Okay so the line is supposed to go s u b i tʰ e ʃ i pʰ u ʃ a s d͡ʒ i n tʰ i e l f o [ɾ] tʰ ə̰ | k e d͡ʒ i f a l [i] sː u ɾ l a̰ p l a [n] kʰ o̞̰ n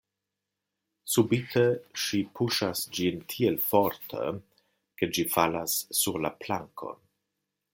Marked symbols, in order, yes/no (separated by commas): yes, no, no